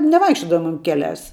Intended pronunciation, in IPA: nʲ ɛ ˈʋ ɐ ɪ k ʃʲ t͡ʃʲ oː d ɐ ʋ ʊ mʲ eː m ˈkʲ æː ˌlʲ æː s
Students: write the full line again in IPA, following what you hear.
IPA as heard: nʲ ɛ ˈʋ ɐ ɪ k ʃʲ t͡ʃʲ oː d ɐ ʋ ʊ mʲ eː m ˈkʲ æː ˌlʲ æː s